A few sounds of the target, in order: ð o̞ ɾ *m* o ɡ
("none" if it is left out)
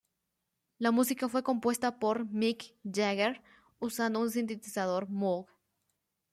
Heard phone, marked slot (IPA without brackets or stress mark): m